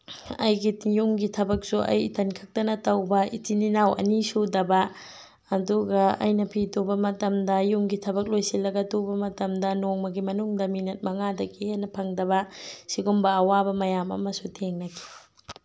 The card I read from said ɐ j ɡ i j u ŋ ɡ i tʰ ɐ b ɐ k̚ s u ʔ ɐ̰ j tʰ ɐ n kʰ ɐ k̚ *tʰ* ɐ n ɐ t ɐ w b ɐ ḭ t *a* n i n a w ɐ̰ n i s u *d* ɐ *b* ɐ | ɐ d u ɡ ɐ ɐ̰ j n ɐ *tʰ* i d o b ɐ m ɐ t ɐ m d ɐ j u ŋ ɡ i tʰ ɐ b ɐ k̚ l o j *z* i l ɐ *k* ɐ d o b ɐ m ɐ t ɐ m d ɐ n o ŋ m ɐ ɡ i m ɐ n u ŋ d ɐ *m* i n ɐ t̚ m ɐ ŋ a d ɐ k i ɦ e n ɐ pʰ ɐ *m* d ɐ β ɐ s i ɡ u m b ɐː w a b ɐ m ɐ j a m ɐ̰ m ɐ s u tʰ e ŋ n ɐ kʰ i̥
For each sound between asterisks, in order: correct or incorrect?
incorrect, incorrect, correct, correct, incorrect, incorrect, incorrect, correct, incorrect

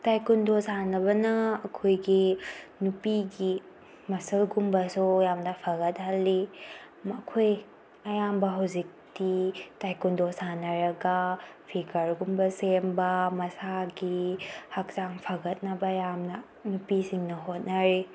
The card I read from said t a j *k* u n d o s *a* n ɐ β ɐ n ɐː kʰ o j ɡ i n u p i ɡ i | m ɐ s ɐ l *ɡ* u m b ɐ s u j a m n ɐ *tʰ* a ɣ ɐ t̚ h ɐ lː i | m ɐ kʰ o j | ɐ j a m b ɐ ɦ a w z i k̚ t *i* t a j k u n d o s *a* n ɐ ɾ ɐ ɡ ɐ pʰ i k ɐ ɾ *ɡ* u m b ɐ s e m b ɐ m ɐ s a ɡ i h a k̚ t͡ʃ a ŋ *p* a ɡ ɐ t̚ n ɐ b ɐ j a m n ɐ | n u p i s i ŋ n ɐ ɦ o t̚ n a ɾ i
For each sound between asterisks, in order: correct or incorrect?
correct, correct, correct, incorrect, correct, correct, correct, incorrect

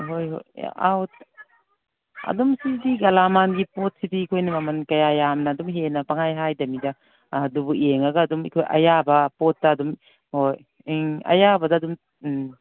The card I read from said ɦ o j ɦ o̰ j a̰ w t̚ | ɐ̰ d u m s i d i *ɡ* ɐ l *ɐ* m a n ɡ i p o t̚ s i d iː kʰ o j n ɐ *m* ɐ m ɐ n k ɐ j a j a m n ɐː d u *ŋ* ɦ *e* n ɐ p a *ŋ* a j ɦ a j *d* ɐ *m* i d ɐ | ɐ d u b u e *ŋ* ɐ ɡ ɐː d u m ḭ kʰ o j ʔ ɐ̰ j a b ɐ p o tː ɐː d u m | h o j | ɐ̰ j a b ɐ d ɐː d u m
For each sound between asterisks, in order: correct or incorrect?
correct, incorrect, correct, incorrect, correct, correct, correct, correct, correct

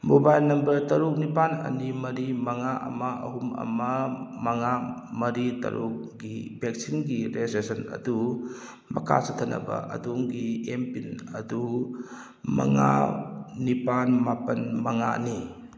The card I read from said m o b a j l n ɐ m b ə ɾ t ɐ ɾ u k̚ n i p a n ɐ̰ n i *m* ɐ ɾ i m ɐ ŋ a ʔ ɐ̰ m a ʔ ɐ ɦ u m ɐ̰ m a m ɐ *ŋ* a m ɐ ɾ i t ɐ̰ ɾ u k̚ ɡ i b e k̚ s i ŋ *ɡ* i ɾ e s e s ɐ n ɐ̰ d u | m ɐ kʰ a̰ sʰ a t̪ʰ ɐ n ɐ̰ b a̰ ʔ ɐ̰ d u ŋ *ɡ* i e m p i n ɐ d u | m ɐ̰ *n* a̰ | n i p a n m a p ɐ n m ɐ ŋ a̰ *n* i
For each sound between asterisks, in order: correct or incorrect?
correct, correct, correct, correct, incorrect, correct

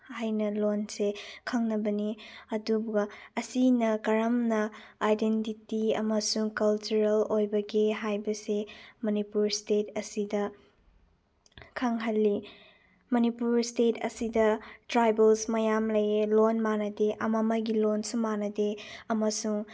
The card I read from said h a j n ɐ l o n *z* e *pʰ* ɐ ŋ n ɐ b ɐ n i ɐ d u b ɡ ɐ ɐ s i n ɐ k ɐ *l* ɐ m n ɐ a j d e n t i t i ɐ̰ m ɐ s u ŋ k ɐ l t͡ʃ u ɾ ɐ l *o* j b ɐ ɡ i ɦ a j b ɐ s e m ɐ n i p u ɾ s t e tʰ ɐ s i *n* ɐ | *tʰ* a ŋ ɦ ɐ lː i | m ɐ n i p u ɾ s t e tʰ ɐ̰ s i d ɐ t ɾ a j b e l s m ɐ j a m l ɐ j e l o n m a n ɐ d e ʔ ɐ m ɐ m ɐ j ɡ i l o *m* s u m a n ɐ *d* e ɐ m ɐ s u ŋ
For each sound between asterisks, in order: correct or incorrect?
incorrect, incorrect, incorrect, correct, incorrect, incorrect, incorrect, correct

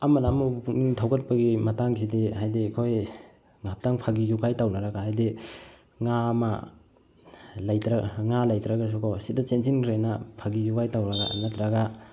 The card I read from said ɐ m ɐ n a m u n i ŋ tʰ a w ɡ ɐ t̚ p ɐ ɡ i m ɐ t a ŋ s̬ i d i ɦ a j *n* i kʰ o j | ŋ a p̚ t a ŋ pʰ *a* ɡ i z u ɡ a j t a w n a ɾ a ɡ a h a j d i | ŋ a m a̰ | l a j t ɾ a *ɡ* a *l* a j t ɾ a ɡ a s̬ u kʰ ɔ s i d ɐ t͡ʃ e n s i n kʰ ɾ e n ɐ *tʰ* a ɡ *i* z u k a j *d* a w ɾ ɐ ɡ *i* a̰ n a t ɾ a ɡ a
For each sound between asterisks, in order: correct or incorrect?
incorrect, correct, incorrect, correct, incorrect, correct, incorrect, incorrect

